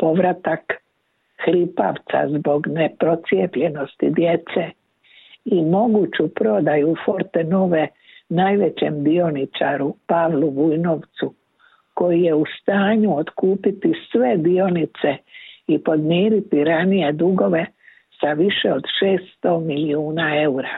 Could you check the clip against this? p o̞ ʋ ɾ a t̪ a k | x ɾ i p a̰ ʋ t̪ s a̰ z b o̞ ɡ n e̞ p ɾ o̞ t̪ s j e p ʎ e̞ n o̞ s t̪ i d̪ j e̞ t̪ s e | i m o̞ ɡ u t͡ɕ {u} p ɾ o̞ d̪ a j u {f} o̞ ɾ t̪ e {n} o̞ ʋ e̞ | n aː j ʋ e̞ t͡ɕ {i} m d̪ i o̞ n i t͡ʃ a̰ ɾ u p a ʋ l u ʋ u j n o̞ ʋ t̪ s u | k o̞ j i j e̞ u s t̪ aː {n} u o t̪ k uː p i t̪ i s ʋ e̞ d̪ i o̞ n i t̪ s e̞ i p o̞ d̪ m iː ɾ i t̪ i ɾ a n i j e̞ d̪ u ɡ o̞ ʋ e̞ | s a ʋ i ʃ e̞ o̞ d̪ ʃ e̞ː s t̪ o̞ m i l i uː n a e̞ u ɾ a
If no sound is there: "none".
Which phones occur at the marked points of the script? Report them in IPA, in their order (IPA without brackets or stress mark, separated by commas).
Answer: u, f, n, e, ɲ